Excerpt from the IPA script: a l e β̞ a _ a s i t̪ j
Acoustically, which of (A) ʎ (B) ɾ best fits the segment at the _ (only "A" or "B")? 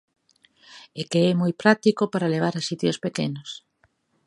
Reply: B